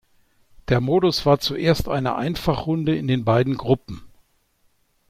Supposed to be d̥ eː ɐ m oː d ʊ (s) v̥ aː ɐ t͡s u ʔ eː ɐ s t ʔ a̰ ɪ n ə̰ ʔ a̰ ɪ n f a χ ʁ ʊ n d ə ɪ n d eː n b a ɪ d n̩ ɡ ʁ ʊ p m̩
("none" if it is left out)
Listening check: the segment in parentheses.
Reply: s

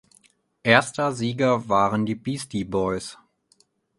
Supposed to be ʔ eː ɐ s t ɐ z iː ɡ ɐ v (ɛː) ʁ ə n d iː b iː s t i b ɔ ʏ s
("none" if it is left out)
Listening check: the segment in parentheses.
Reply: aː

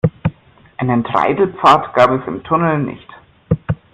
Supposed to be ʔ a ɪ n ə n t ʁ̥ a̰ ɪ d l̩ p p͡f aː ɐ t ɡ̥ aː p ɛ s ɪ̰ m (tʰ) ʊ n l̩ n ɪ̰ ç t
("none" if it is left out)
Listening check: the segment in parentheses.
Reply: tʰ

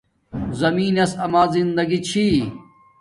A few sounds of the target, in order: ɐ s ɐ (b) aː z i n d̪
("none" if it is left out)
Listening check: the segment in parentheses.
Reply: m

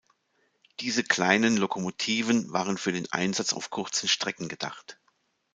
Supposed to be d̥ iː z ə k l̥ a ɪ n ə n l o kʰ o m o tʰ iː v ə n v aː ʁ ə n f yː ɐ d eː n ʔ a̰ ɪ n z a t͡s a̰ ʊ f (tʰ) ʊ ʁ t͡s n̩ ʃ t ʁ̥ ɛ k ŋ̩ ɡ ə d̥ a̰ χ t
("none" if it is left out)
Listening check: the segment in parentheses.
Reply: kʰ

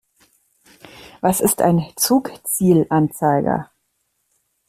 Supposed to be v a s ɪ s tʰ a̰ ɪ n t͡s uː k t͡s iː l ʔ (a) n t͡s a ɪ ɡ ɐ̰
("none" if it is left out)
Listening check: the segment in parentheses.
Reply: a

